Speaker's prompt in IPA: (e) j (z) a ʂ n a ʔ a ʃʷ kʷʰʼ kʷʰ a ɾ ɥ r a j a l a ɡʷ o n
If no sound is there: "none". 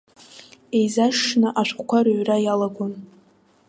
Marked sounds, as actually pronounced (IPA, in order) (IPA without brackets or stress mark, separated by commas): e, z